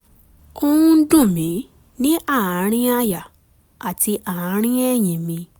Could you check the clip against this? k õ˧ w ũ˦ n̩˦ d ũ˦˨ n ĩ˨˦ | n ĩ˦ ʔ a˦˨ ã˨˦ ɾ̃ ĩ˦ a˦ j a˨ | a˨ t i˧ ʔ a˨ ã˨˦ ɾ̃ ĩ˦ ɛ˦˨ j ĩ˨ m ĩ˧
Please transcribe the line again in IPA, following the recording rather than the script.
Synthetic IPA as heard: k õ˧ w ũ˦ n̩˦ d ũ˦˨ m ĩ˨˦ | n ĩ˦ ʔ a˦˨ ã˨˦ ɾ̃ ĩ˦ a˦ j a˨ | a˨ t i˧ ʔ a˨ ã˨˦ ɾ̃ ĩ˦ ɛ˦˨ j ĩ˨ m ĩ˧